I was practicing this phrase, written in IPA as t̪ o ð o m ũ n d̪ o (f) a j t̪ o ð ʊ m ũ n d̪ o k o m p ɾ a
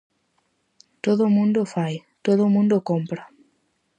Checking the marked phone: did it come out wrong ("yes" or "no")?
no